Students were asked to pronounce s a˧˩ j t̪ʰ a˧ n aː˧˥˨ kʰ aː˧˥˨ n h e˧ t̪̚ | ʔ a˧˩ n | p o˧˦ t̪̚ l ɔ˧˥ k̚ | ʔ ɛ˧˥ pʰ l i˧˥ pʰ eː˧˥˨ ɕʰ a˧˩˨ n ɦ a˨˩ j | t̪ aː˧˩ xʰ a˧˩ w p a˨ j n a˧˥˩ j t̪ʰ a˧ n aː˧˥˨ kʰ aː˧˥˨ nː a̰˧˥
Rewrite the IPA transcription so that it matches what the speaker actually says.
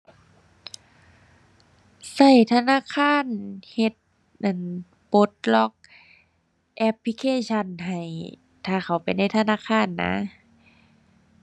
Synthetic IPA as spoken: s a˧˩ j t̪ʰ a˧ n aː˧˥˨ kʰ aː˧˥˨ n h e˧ t̪̚ | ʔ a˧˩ n | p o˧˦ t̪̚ l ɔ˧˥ k̚ | ʔ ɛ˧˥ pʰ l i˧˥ kʰ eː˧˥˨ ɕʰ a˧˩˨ n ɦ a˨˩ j | t̪ʰ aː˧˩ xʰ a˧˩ w p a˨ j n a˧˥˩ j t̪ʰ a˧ n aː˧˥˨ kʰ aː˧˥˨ nː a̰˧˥

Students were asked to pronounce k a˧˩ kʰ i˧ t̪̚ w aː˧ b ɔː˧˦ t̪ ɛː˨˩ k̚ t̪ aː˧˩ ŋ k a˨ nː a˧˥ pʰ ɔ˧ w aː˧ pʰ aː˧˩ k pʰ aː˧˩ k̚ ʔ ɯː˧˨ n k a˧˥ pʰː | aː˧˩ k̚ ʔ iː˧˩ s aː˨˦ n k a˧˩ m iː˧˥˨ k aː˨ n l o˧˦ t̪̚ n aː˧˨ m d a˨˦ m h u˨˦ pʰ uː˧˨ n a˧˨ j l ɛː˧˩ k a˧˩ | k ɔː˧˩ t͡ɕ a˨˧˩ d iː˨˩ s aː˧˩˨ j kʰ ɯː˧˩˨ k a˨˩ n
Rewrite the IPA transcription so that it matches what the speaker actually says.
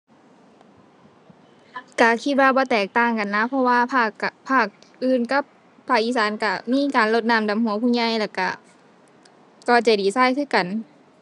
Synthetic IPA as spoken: k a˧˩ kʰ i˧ t̪̚ w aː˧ b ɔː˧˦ t̪ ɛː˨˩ k̚ t̪ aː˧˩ ŋ k a˨ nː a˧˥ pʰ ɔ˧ w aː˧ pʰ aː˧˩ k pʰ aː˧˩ k̚ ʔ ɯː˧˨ n k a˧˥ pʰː | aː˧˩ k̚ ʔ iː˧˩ s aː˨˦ n k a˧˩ m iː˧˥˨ k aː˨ n l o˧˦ t̪̚ n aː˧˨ m d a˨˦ m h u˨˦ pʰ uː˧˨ ɲ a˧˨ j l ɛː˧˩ k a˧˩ | k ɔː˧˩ t͡ɕ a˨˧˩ d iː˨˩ s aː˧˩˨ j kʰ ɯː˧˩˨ k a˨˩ n

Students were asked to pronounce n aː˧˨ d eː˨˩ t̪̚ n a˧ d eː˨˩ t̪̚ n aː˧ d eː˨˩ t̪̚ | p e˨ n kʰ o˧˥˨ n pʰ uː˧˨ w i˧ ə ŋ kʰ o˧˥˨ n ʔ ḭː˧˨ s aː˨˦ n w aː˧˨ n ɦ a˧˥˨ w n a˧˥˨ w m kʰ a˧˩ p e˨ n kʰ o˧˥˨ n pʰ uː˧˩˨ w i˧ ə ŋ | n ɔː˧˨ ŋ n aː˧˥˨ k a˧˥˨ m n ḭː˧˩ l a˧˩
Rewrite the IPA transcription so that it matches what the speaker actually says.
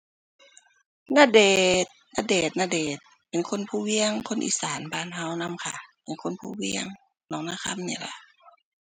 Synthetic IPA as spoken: n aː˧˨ d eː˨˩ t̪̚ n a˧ d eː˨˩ t̪̚ n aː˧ d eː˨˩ t̪̚ | p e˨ n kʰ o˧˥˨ n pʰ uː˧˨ w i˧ ə ŋ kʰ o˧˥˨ n ʔ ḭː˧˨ s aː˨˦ n b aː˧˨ n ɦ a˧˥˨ w n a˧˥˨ m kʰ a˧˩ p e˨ n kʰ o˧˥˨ n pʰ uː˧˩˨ w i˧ ə ŋ | n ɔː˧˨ ŋ n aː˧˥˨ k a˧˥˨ m n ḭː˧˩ l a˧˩

